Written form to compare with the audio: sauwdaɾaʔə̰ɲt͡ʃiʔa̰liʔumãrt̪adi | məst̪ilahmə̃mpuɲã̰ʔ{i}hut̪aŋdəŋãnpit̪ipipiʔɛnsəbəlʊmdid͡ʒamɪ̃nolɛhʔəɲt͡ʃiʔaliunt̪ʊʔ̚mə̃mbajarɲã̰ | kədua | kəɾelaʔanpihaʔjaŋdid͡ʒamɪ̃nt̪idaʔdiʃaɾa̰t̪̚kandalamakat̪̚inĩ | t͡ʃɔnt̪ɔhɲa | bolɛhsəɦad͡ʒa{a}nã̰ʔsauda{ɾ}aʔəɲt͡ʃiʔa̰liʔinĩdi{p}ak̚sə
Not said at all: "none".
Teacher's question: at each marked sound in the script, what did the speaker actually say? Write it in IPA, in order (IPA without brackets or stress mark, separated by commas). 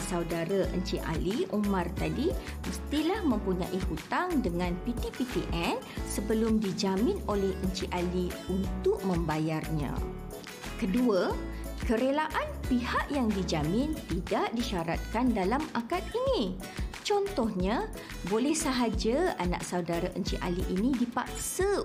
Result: i, a, ɾ, p